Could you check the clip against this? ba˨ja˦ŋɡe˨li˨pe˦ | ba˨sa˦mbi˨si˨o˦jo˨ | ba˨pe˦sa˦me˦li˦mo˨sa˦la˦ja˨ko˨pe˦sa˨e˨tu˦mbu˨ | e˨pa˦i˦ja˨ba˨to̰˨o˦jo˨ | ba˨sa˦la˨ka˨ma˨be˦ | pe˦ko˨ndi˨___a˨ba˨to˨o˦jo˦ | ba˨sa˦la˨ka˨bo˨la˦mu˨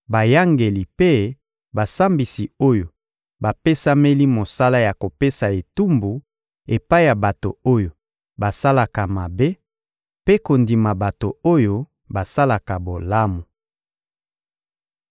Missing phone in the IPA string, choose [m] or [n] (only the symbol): m